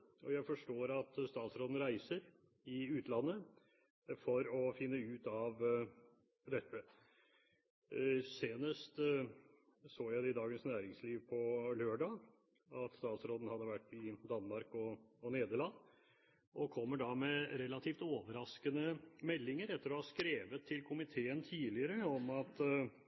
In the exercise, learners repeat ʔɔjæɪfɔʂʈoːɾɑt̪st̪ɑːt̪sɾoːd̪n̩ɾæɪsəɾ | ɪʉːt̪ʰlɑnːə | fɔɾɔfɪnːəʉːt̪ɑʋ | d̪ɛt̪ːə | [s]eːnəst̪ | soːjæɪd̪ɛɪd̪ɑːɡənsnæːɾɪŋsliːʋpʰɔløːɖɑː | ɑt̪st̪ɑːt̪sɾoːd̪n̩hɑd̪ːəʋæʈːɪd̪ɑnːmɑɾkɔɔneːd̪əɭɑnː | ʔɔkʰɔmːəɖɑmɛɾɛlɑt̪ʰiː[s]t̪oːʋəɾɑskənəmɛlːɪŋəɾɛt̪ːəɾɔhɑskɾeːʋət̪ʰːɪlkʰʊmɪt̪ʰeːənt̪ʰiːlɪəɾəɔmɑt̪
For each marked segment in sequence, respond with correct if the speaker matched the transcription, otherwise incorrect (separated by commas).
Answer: correct, incorrect